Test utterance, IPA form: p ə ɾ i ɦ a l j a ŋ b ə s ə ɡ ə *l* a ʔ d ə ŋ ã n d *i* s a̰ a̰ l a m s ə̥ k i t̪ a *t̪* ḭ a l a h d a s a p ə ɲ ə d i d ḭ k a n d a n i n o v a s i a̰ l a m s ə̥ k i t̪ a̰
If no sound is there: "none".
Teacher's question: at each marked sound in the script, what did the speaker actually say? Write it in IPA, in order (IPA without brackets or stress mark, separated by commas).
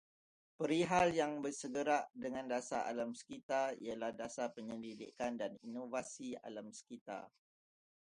ɾ, a, none